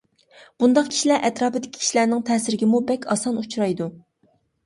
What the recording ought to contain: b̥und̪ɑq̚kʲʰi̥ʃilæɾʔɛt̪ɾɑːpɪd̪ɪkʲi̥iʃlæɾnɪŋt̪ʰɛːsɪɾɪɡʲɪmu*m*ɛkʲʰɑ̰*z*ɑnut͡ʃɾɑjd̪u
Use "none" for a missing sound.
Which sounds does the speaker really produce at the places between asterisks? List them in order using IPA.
b, s

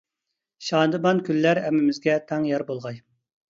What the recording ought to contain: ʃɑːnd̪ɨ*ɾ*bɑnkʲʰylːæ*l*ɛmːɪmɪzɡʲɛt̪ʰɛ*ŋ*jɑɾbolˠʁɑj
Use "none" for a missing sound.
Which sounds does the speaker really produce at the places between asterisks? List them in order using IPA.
none, ɾ, ŋ

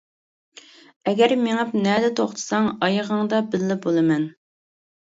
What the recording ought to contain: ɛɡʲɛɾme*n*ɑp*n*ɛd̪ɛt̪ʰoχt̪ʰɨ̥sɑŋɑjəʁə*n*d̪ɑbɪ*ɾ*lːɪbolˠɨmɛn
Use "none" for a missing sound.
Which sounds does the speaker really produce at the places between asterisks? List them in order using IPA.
ŋ, n, ŋ, none

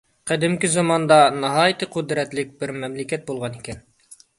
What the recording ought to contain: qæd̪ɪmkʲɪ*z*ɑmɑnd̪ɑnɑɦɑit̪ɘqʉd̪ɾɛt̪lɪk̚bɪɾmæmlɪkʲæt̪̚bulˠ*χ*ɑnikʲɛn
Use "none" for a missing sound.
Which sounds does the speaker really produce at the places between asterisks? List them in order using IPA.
z, ʁ

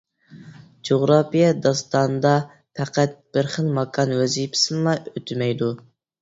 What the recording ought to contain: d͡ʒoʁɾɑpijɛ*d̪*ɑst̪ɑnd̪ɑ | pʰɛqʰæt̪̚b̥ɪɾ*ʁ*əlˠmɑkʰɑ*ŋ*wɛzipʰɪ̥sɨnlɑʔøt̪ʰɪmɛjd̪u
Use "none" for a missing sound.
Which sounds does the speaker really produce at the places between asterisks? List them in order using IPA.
d̪, χ, n

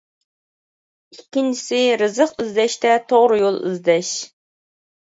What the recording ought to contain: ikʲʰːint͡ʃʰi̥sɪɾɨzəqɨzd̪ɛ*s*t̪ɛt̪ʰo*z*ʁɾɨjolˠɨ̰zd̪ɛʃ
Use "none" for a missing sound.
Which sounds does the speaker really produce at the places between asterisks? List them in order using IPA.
ʃ, none

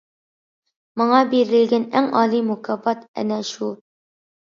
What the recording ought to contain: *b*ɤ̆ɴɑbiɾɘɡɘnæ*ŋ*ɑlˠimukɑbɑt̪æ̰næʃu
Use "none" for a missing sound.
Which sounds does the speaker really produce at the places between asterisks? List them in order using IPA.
m, ŋ

